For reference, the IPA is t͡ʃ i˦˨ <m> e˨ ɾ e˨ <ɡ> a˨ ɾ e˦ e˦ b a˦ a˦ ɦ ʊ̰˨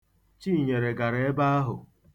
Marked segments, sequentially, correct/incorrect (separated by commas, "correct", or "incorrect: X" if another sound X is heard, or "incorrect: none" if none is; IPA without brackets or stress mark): incorrect: ɲ, correct